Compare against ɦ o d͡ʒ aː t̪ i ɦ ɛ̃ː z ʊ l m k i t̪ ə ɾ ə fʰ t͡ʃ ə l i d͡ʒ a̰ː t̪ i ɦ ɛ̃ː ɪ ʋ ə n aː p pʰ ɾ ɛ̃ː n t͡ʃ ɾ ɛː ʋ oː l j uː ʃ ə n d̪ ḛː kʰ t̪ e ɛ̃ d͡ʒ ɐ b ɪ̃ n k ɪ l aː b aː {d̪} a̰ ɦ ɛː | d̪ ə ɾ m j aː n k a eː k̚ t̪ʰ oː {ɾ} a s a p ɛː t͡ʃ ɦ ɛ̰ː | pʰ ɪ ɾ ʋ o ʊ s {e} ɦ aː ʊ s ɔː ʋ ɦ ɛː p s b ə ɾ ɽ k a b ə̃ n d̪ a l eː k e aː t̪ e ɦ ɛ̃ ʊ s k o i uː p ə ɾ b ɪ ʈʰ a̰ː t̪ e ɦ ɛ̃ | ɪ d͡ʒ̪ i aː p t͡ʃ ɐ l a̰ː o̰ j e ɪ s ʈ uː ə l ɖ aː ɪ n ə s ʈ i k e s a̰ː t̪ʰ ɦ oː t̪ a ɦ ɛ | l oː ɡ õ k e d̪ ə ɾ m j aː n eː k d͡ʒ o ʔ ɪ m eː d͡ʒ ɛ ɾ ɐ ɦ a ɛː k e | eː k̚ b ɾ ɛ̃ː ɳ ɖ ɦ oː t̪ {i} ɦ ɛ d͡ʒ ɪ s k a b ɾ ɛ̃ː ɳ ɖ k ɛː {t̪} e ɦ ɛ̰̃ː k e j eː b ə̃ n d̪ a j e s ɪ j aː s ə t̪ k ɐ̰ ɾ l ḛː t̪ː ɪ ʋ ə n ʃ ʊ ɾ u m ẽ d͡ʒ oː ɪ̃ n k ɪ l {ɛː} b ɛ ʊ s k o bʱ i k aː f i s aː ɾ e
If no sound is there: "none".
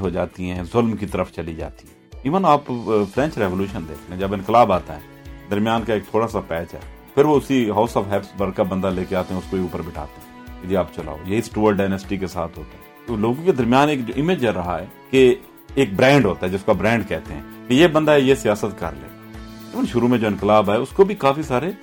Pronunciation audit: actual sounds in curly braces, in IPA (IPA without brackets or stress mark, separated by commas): t̪, ɽ, i, a, t̪, aː